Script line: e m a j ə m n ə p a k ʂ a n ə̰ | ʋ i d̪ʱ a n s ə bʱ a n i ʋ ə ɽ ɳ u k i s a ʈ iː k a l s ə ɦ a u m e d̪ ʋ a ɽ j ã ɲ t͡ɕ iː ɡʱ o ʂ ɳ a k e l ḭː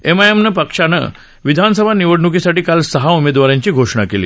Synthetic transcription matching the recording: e m a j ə m n ə p ə k ʂ a n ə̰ | ʋ i d̪ʱ a n s ə bʱ a n i ʋ ə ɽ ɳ u k i s a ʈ iː k a l s ə ɦ a u m e d̪ ʋ a ɾ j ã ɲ t͡ɕ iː ɡʱ o ʂ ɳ a k e l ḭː

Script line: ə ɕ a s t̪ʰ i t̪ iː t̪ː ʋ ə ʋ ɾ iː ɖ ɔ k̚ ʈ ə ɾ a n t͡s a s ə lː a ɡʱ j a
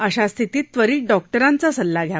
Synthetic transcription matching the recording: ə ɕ a s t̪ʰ i t̪ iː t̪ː ʋ ə ɾ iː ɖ ɔ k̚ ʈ ə ɾ a n t͡s a s ə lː a ɡʱ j a

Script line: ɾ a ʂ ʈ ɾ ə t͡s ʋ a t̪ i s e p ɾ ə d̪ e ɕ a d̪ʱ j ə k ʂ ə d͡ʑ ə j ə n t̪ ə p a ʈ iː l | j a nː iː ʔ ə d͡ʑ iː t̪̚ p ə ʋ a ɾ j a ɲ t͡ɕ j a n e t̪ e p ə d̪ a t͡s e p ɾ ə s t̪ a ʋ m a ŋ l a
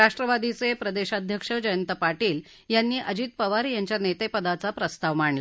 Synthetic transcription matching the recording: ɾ a ʂ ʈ ɾ ə ʋ a d̪ i t͡s e p ɾ ə d̪ e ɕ a d̪ʱ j ə k ʂ ə d͡ʑ ə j ə n t̪ ə p a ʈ iː l | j a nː iː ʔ ə d͡ʑ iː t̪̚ p ə ʋ a ɾ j a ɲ t͡ɕ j a n e t̪ e p ə d̪ a t͡s a p ɾ ə s t̪ a ʋ m a ɳ l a

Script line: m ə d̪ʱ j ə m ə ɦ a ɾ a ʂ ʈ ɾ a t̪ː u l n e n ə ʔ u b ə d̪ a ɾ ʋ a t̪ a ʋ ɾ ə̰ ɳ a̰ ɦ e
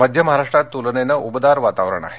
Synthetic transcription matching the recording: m ə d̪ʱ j ə m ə ɦ a ɾ a ʂ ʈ ɾ a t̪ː u l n e n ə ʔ u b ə d̪ a ɾ ʋ a t̪ a ʋ ɾ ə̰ ɳ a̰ ɦ e

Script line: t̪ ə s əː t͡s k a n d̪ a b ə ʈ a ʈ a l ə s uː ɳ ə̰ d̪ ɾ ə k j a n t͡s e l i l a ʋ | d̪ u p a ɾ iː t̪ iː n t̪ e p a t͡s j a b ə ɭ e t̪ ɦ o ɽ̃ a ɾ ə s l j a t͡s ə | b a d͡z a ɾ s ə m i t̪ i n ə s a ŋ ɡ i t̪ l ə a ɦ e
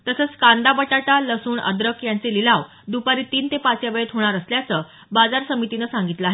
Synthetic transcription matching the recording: t̪ ə s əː t͡s k a n d̪ a b ə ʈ a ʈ a l ə s uː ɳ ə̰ d̪ ɾ ə k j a n t͡s e l i l a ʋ | d̪ u p a ɾ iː t̪ iː n t̪ e p a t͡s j a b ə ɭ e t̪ ɦ o ɽ̃ a ɾ ə s l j a t͡s ə | b a d͡z a ɾ s ə m i t̪ i n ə s a ŋ ɡ i t̪ l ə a ɦ e

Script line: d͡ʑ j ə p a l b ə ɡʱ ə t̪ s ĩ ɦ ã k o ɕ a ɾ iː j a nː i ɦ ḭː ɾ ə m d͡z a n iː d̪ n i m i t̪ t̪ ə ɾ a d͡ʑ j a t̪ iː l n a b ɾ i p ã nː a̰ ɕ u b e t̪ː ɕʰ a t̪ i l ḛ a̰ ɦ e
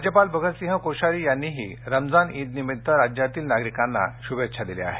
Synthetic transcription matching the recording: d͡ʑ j ə p a l b ə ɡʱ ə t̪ s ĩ ɦ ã k o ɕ a ɾ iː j a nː i ɦ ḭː ɾ ə m d͡z a n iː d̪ n i m i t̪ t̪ ə ɾ a d͡ʑ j a t̪ iː l n a ɡ ɾ i k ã nː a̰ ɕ u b e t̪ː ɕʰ a d̪ i l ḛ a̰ ɦ e

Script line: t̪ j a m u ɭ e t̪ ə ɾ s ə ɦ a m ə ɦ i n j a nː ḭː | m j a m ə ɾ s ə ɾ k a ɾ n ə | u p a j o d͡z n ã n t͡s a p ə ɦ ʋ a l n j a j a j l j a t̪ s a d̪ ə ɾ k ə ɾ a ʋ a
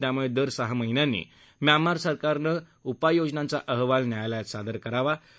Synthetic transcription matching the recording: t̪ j a m u ɭ e d̪ ə ɾ s ə ɦ a m ə ɦ i n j a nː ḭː | m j a m a ɾ s ə ɾ k a ɾ n ə | u p a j o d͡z n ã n t͡s a ʔ ə ɦ ʋ a l n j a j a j l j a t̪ s a d̪ ə ɾ k ə ɾ a ʋ a

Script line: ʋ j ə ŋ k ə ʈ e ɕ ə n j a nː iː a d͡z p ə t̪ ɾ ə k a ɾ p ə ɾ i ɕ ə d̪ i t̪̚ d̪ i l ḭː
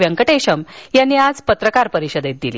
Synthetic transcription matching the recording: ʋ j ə ŋ k ə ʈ e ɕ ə m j a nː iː a d͡z p ə t̪ ɾ ə k a ɾ p ə ɾ i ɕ ə d̪ e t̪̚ d̪ i l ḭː

